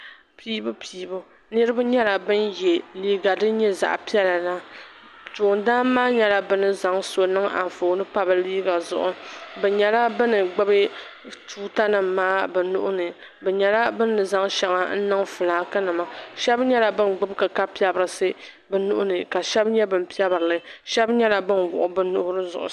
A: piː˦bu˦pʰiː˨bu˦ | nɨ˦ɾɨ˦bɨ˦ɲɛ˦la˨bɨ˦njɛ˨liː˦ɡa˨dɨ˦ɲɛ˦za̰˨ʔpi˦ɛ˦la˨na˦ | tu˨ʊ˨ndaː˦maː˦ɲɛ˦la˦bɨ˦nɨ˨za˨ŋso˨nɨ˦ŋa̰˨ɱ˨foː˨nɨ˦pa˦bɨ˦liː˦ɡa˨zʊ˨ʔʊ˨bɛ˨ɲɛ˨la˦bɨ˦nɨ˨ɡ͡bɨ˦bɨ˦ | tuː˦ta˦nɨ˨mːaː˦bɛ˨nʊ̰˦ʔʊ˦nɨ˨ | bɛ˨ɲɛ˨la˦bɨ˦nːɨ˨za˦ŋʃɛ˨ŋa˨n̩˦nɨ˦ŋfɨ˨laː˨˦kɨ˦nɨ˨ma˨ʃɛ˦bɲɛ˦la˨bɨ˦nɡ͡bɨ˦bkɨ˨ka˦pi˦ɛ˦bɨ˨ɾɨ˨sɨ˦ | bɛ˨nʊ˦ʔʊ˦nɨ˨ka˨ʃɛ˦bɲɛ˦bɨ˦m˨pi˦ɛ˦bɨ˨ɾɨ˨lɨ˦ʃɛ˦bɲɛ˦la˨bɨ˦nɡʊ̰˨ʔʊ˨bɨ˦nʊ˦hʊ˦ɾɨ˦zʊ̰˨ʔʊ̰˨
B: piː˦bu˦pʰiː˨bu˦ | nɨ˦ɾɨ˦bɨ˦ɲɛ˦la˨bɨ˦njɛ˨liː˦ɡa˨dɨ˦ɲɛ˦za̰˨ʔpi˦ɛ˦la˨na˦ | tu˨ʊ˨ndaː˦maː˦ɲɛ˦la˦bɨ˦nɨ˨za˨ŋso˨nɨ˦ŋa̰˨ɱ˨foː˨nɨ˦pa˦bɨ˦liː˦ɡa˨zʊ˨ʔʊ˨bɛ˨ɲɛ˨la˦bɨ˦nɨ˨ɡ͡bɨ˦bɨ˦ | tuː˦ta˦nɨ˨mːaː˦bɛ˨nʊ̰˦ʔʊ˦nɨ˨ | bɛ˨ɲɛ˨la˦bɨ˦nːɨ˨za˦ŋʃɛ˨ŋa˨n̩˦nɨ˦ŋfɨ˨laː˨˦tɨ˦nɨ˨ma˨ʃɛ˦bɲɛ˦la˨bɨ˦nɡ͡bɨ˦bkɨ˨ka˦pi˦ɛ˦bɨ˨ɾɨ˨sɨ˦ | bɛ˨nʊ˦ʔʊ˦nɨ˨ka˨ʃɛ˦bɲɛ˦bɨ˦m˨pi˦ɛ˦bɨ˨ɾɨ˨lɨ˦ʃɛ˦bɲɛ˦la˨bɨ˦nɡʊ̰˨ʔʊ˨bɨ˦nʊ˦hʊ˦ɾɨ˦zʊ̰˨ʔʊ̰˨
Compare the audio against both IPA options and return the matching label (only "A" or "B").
A